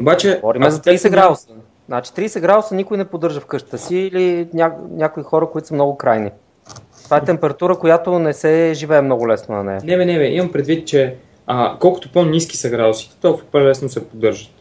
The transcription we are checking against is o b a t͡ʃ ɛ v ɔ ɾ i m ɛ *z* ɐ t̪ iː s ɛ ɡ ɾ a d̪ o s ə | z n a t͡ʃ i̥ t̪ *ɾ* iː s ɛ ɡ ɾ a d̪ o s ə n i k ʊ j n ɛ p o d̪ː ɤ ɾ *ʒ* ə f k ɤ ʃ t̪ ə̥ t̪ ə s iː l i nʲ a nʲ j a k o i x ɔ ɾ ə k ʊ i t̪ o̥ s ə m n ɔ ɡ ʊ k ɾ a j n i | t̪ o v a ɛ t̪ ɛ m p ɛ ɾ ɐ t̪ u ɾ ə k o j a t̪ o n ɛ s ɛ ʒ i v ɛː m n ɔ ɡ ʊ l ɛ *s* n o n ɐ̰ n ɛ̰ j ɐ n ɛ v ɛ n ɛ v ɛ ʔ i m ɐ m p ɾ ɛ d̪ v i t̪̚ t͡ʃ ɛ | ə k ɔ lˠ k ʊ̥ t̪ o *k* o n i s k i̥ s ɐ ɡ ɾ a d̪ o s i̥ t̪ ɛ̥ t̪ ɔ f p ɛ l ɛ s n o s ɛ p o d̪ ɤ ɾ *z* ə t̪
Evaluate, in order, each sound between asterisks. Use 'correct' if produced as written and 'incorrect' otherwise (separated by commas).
correct, correct, correct, correct, incorrect, incorrect